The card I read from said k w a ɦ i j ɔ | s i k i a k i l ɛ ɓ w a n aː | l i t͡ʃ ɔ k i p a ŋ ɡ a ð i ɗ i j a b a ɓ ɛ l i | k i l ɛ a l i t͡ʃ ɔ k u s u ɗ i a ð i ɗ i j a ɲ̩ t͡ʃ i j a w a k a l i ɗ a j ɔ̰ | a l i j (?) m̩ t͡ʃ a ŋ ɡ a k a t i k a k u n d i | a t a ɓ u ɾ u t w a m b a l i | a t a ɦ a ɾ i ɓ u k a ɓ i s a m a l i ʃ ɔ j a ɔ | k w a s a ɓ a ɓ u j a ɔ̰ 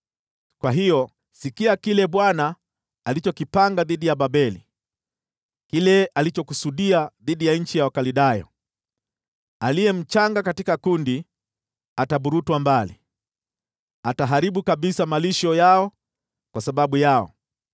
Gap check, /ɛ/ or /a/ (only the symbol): ɛ